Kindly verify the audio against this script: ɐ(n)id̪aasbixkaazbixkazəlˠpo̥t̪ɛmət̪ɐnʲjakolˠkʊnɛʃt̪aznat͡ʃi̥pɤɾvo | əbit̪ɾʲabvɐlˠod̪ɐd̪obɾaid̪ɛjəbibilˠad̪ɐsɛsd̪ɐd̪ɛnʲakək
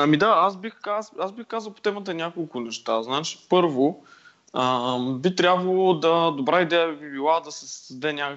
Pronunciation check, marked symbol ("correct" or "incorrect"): incorrect